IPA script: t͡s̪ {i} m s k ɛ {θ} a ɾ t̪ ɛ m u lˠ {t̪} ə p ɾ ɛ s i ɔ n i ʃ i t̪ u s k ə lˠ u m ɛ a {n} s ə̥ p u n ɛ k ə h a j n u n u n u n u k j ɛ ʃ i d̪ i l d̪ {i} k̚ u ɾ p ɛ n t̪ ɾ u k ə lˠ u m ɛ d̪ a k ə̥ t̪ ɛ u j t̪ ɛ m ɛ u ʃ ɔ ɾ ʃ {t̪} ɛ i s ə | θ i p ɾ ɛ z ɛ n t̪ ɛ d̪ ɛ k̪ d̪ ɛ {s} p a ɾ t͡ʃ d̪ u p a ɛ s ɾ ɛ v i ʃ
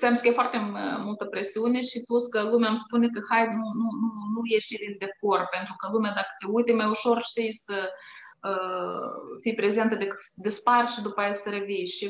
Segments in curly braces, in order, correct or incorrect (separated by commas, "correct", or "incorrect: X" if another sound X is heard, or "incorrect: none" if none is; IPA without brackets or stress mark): incorrect: ɛ, incorrect: f, correct, incorrect: m, incorrect: ɛ, correct, correct